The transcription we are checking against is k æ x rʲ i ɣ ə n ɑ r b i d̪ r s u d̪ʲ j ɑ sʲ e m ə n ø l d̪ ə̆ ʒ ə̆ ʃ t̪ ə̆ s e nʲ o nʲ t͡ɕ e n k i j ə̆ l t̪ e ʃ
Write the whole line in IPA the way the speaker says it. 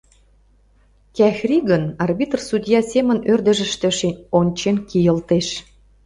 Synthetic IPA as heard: k æ x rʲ i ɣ ə n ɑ r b i t̪ r s u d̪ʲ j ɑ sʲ e m ə n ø r d̪ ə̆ ʒ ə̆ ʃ t̪ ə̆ ʃ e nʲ o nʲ t͡ɕ e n k i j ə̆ l t̪ e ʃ